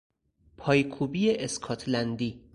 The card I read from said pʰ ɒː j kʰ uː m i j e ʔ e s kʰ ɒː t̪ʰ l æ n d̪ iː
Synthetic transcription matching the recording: pʰ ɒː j kʰ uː b i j e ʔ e s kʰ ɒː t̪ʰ l æ n d̪ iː